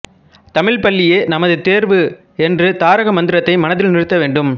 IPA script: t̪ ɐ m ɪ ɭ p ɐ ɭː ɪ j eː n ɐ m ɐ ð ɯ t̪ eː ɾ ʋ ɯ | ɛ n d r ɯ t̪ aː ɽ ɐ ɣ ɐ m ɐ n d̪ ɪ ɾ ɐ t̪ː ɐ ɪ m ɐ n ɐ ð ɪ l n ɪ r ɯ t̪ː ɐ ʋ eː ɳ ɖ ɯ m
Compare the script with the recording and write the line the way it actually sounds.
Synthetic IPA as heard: t̪ ɐ m ɪ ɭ p ɐ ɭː ɪ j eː n ɐ m ɐ ð ɯ t̪ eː ɾ ʋ ɯ | ɛ n d r ɯ t̪ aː ɾ ɐ ɣ ɐ m ɐ n d̪ ɪ ɾ ɐ t̪ː ɐ ɪ m ɐ n ɐ ð ɪ l n ɪ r ɯ t̪ː ɐ ʋ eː ɳ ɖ ɯ m